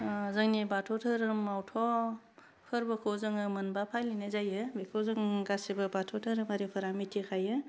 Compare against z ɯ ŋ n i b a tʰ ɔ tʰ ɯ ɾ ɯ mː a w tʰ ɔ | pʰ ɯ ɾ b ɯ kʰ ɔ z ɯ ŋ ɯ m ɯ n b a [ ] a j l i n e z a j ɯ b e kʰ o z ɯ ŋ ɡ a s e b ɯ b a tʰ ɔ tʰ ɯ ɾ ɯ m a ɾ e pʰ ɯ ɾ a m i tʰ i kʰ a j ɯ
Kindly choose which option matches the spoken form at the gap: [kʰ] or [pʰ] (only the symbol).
pʰ